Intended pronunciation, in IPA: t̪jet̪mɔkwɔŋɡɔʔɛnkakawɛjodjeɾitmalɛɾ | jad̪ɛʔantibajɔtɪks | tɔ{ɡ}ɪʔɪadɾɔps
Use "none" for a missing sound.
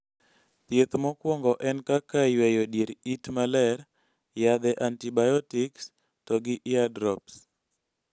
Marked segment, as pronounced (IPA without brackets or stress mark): ɡ